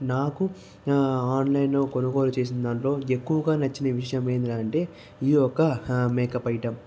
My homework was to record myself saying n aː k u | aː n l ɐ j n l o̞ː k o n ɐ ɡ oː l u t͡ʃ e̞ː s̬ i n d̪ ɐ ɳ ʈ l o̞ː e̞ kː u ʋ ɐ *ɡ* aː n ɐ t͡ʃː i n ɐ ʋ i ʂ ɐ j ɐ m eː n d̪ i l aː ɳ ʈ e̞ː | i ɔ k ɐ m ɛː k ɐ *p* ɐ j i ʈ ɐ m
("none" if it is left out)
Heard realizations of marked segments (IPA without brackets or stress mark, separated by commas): ɡ, p